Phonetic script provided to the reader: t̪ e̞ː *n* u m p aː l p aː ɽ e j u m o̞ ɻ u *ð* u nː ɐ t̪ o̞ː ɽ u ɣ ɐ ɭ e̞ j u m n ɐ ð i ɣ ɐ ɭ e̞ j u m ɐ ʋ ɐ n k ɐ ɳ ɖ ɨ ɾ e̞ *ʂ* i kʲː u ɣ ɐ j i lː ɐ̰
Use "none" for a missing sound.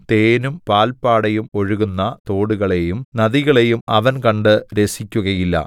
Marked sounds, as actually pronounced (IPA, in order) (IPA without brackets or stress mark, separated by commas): n, ɣ, s